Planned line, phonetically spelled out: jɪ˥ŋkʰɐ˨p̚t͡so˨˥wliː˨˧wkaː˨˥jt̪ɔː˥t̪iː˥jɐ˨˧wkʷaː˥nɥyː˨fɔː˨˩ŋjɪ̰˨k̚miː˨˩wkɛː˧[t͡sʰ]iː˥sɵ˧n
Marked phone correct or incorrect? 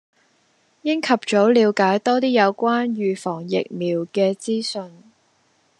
incorrect